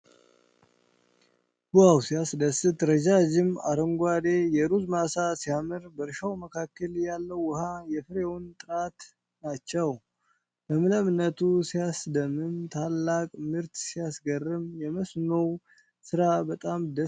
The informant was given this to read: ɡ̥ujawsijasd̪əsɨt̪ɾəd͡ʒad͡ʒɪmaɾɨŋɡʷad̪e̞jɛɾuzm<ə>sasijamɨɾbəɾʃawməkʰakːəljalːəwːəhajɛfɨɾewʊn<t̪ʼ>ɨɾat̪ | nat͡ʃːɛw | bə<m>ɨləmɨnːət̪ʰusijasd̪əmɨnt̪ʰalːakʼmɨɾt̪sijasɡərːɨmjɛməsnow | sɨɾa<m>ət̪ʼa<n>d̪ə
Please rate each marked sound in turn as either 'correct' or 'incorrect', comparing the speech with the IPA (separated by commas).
incorrect, correct, correct, incorrect, incorrect